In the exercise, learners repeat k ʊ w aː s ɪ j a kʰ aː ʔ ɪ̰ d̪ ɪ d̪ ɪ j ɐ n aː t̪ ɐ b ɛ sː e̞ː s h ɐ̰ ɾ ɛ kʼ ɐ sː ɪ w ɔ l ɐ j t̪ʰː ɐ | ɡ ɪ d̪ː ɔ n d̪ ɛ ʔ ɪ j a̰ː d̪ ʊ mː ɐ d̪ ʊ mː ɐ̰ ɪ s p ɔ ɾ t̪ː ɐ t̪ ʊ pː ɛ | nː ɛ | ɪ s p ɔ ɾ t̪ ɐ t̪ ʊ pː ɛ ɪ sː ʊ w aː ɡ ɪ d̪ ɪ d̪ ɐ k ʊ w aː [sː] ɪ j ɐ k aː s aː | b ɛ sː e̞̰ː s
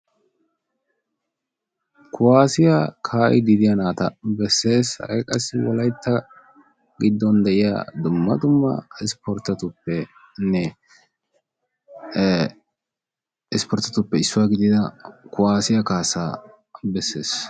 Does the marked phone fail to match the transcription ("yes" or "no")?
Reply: yes